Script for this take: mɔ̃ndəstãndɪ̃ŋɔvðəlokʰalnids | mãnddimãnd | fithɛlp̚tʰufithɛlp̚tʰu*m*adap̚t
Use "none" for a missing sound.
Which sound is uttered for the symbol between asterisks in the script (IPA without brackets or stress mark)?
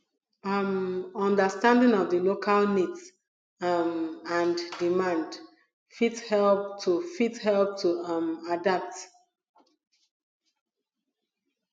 m